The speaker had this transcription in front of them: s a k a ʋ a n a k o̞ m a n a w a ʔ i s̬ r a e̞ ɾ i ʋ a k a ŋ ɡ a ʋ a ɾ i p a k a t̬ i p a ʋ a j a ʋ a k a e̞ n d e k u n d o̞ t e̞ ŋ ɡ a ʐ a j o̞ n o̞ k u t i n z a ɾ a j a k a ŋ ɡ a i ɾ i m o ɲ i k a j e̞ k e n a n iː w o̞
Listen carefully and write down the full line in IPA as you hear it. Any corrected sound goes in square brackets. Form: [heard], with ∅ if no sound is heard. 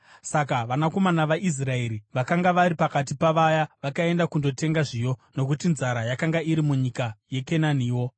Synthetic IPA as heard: s a k a ʋ a n a k o̞ m a n a [ʋ] a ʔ i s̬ r a e̞ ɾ i ʋ a k a ŋ ɡ a ʋ a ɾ i p a k a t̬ i p a ʋ a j a ʋ a k a e̞ n d [a] k u n d o̞ t e̞ ŋ ɡ a ʐ [i] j o̞ n o̞ k u t i n z a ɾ a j a k a ŋ ɡ a i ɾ i m [u] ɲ i k a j e̞ k e n a n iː w o̞

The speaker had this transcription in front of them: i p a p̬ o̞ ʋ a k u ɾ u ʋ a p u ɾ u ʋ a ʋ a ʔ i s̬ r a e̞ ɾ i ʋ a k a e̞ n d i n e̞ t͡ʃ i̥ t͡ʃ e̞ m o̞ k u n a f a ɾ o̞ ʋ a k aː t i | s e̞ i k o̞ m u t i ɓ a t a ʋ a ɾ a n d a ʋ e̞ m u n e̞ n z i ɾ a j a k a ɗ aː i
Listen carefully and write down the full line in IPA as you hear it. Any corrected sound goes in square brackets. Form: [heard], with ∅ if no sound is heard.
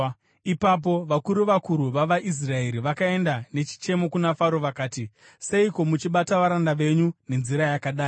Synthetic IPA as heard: i p a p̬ o̞ ʋ a k u ɾ u ʋ a [k] u ɾ u ʋ a ʋ a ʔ i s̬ r a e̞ ɾ i ʋ a k a e̞ n d [a] n e̞ t͡ʃ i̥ t͡ʃ e̞ m o̞ k u n a f a ɾ o̞ ʋ a k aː t i | s e̞ i k o̞ m u [t͡ʃ] i ɓ a t a ʋ a ɾ a n d a ʋ e̞ [ɲ] u n e̞ n z i ɾ a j a k a ɗ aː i

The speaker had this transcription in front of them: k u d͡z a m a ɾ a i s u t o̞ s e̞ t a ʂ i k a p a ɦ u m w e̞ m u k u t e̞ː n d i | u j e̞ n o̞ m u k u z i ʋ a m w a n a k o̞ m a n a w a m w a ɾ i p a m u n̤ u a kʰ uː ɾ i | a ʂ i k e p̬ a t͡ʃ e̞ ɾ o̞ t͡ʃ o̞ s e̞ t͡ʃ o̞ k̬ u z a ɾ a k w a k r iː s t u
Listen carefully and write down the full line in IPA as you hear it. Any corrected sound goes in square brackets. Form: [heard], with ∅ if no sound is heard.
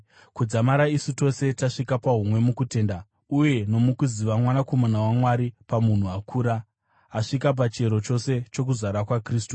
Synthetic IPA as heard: k u d͡z a m a ɾ a i s u t o̞ s e̞ t a ʂ i k a p a ɦ u m w e̞ m u k u t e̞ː n d [a] | u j e̞ n o̞ m u k u z i ʋ a m w a n a k o̞ m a n a w a m w a ɾ i p a m u n̤ u a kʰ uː ɾ [a] | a ʂ i k [a] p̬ a t͡ʃ e̞ ɾ o̞ t͡ʃ o̞ s e̞ t͡ʃ o̞ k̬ u z a ɾ a k w a k r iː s t u

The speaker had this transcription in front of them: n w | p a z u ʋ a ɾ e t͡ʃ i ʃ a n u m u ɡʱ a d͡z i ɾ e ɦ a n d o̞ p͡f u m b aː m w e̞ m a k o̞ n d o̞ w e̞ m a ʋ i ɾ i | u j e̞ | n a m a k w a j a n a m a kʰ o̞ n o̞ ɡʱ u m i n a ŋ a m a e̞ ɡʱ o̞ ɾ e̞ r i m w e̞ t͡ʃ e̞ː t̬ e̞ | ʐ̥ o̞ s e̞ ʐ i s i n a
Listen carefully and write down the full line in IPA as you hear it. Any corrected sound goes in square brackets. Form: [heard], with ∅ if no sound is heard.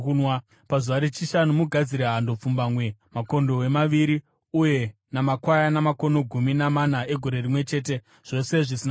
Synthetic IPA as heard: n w | p a z u ʋ a ɾ e t͡ʃ i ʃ a n u m u ɡʱ a d͡z i ɾ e ɦ a n d o̞ p͡f u m b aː m w e̞ m a k o̞ n d o̞ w e̞ m a ʋ i ɾ i | u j e̞ | n a m a k w a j a n a m a [k] o̞ n o̞ ɡʱ u m i n a [m] a [n] a e̞ ɡʱ o̞ ɾ e̞ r i m w e̞ t͡ʃ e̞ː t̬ e̞ | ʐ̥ o̞ s e̞ ʐ i s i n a

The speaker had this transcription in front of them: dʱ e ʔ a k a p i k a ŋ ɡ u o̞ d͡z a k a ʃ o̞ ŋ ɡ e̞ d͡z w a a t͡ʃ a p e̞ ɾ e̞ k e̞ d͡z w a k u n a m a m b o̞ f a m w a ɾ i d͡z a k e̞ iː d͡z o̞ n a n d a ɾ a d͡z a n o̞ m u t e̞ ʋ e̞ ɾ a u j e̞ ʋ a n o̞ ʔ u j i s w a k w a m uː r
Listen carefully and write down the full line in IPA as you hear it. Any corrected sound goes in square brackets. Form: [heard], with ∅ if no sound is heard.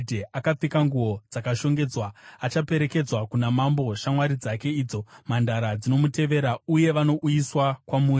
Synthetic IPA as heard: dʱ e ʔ a k a [p͡f] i k a ŋ ɡ u o̞ d͡z a k a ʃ o̞ ŋ ɡ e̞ d͡z w a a t͡ʃ a p e̞ ɾ e̞ k e̞ d͡z w a k u n a m a m b o̞ [ʃ] a m w a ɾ i d͡z a k e̞ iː d͡z o̞ [m] a n d a ɾ a d͡z [i] n o̞ m u t e̞ ʋ e̞ ɾ a u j e̞ ʋ a n o̞ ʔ u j i s w a k w a m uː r

